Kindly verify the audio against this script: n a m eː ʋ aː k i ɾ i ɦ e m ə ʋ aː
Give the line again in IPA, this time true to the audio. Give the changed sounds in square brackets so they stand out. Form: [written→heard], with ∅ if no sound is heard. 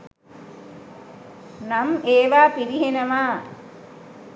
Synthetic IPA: n a m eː ʋ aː [k→p] i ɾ i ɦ e [m→n] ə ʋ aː